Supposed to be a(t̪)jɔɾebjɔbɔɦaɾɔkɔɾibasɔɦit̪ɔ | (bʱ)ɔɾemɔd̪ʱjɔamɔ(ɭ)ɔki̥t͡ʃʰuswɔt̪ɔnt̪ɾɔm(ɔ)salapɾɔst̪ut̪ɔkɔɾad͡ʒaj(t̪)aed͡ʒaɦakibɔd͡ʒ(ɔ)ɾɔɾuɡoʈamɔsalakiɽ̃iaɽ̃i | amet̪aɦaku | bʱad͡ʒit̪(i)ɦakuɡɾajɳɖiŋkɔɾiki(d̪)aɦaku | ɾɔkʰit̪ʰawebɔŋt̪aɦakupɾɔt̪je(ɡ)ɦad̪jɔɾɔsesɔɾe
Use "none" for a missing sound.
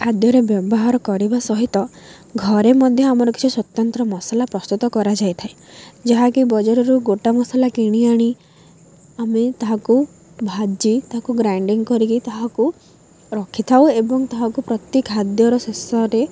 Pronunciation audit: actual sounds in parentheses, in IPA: d̪, ɡʱ, ɾ, ɔ, t̪ʰ, ɔ, a, t̪, k

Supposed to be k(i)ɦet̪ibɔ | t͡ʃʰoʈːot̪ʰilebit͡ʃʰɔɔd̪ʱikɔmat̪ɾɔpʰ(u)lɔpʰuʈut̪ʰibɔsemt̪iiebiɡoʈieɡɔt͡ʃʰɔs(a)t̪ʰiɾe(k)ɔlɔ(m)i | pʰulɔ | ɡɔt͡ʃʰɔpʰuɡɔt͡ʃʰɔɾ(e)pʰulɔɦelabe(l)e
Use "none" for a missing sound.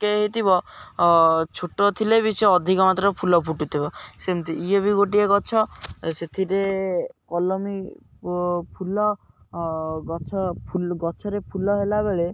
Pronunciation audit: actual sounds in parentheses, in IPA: e, u, e, k, m, e, ɭ

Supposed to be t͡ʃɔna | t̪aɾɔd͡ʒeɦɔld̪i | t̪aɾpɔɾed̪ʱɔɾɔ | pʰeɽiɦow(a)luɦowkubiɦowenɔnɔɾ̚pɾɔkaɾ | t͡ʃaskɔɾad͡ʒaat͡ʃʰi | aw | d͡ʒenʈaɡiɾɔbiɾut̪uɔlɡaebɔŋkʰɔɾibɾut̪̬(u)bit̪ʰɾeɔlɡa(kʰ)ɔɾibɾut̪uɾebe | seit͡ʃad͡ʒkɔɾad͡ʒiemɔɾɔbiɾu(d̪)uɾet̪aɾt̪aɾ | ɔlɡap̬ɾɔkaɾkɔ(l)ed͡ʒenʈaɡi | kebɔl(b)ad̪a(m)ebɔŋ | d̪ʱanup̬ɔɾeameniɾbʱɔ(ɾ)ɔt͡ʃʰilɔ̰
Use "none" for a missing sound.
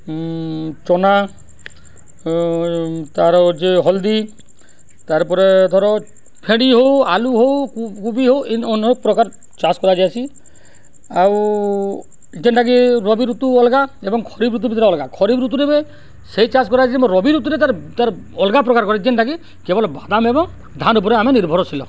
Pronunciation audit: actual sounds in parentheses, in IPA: a, u, kʰ, t̪, ɾ, b, m, ɾ

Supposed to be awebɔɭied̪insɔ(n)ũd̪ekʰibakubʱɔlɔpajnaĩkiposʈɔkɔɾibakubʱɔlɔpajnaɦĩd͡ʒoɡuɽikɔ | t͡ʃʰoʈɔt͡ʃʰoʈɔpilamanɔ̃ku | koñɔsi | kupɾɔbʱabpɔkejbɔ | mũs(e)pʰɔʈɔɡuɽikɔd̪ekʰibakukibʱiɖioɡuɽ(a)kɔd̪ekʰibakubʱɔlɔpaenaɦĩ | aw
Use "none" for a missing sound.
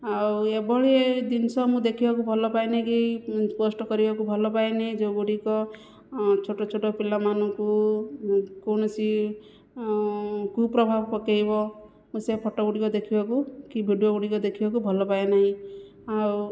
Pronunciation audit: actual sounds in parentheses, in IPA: m, e, i

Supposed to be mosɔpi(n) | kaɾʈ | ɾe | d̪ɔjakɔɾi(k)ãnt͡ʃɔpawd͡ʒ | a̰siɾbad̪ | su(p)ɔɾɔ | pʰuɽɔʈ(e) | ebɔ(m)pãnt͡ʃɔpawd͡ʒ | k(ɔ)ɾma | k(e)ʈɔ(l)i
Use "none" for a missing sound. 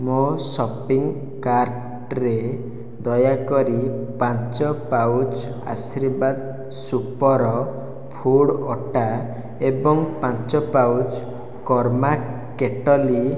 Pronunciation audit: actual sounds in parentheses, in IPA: ŋ, p, p, a, ŋ, ɔ, e, l

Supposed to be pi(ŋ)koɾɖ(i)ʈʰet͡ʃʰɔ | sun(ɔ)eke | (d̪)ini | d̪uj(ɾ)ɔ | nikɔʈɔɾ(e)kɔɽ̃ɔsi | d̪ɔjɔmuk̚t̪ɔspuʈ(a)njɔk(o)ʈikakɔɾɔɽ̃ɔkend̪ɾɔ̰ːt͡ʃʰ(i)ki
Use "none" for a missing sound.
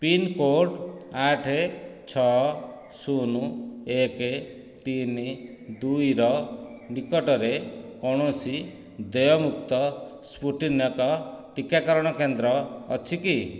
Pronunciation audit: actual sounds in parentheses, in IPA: n, a, u, t̪, ɾ, e, i, ɔ, i

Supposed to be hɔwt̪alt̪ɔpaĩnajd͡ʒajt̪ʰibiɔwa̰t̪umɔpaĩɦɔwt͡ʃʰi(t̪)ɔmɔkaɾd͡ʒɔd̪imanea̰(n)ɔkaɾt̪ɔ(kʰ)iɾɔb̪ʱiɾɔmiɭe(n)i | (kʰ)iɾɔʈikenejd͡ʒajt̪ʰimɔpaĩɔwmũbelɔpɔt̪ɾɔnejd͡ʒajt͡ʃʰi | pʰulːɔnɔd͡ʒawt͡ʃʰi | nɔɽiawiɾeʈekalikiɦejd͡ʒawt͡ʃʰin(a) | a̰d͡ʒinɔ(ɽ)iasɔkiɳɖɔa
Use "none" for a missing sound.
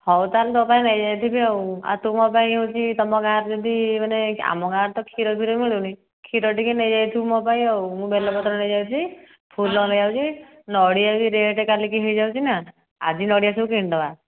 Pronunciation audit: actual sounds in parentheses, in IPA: t̪, m, kʰ, n, kʰ, a, ɽ

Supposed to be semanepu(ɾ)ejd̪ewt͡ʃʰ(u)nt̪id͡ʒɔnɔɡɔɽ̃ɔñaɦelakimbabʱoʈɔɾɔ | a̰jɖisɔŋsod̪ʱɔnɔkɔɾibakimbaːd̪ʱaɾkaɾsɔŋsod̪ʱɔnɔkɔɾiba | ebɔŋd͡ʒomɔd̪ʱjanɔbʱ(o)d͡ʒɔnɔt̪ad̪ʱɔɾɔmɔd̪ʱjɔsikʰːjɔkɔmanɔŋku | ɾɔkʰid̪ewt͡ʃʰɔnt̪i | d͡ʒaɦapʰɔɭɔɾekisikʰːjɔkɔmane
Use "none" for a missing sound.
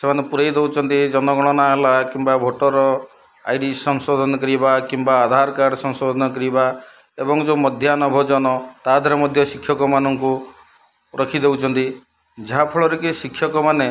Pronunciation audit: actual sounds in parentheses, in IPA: ɾ, ɔ, ɔ

